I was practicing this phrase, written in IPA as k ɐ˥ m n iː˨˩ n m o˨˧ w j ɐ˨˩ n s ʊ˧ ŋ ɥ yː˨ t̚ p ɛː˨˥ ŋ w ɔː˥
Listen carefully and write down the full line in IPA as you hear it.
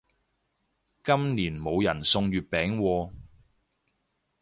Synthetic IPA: k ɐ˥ m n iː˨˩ n m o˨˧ w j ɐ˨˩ n s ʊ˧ ŋ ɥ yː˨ t̚ p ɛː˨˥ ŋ w ɔː˧